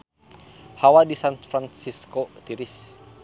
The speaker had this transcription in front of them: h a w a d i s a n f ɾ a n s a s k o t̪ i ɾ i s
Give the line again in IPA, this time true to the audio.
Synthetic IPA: h a w a d i s a n f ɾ a n s i s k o t̪ i ɾ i s